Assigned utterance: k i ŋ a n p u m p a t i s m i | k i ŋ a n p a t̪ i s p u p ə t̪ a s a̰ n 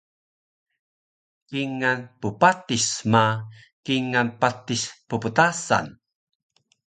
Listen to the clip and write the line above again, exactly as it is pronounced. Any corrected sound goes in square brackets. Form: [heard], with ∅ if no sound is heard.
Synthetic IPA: k i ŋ a n p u [∅] p a t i s m [a] | k i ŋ a n p a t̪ i s p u p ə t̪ a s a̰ n